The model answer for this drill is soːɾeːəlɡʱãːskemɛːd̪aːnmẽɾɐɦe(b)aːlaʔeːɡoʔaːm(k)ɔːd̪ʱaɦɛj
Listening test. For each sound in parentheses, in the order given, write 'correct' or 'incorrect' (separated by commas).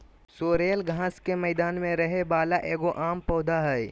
correct, incorrect